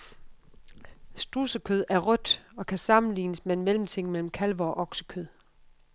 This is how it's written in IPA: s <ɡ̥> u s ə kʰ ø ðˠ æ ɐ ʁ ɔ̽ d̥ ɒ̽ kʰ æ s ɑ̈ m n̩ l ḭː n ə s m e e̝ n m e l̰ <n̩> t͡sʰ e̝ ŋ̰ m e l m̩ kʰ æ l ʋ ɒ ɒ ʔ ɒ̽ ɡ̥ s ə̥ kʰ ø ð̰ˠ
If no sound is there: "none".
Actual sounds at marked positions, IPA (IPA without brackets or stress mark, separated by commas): d̥, m̩